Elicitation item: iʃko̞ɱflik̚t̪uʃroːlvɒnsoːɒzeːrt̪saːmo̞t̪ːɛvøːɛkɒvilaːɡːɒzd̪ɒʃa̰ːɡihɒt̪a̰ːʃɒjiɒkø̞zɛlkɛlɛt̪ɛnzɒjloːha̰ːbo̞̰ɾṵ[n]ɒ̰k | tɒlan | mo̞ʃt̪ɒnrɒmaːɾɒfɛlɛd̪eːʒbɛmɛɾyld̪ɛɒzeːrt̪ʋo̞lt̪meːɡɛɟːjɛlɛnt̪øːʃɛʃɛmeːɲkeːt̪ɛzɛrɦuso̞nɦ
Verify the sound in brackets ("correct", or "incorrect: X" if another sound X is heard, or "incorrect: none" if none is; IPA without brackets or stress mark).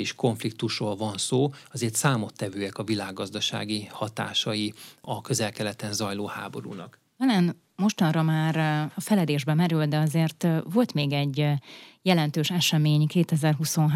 correct